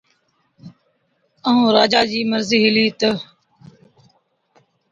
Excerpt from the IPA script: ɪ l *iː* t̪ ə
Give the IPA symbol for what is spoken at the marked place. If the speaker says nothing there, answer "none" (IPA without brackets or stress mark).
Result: iː